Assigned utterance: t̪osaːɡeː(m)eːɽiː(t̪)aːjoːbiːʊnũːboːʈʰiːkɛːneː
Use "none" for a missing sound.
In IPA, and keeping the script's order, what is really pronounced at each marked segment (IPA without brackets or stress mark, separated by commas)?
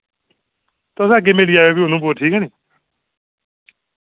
m, none